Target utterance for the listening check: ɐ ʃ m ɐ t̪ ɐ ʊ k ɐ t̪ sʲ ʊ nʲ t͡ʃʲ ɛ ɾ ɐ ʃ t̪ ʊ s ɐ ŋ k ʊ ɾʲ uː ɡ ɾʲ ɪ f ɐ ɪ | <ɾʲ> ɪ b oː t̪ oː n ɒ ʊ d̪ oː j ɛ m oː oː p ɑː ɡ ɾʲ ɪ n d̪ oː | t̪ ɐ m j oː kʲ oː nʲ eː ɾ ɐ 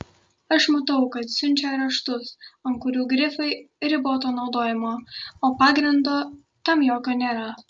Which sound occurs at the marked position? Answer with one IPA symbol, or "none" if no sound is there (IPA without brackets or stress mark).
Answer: ɾʲ